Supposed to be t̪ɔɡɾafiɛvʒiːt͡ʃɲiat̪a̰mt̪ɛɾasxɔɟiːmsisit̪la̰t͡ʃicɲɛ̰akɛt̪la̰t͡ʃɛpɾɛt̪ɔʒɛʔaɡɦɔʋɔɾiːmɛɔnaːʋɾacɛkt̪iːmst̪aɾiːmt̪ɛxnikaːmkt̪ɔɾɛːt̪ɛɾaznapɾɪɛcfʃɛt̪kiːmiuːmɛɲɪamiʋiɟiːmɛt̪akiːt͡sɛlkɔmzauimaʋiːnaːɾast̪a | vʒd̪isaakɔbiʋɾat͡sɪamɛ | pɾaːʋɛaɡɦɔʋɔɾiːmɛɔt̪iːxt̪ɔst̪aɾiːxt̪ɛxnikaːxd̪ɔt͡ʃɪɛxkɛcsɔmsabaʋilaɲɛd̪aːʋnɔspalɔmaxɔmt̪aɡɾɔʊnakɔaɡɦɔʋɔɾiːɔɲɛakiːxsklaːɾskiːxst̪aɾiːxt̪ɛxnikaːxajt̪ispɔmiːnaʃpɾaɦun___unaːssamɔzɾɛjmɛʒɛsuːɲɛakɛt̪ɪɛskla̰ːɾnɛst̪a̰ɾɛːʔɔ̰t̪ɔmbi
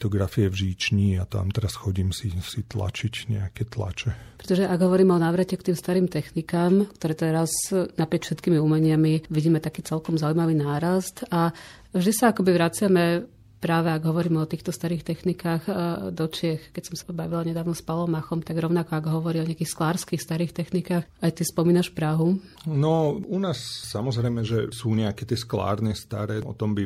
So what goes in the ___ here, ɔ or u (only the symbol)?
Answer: ɔ